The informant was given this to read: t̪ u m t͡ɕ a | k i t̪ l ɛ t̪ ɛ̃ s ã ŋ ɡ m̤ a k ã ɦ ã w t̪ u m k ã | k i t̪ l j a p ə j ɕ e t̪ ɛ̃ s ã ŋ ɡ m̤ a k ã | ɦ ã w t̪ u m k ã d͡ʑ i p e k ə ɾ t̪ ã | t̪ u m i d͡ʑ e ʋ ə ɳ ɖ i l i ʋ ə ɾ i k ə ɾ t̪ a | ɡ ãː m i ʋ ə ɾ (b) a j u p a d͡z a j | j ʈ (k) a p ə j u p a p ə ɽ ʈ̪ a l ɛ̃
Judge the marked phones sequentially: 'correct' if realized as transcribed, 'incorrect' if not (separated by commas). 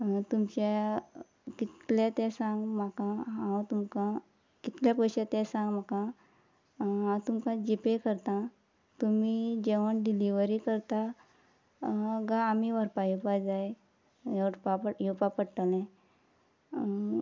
incorrect, incorrect